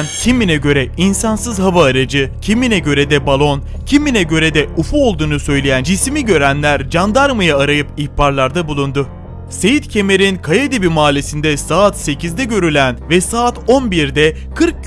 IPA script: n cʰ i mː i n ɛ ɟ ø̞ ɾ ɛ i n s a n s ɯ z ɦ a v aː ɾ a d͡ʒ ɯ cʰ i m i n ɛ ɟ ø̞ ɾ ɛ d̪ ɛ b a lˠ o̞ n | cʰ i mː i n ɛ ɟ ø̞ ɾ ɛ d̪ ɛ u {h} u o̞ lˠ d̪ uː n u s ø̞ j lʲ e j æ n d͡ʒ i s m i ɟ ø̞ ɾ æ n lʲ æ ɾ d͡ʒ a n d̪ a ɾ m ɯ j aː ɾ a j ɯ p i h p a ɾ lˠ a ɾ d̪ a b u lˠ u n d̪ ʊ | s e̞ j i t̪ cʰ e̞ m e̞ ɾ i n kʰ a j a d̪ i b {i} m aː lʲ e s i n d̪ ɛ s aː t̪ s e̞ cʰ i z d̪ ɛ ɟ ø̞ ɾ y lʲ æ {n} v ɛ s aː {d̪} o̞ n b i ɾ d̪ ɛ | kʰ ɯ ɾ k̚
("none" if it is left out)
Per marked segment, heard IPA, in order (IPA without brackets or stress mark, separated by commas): f, i, n, t̪